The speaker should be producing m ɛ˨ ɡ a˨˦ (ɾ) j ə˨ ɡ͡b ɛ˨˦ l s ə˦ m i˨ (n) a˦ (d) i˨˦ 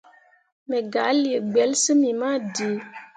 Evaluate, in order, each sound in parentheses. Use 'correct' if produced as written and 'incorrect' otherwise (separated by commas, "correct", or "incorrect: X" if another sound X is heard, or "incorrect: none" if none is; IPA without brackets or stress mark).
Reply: incorrect: l, incorrect: m, correct